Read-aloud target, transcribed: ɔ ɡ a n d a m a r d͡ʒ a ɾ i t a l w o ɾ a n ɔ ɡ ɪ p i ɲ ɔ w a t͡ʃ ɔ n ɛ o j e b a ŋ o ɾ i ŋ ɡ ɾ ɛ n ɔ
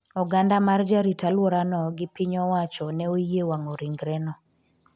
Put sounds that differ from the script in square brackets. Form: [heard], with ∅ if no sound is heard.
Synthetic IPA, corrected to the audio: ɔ ɡ a n d a m a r d͡ʒ a ɾ i t a l w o ɾ a n ɔ ɡ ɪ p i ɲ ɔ w a t͡ʃ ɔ n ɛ o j e [w] a ŋ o ɾ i ŋ ɡ ɾ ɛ n ɔ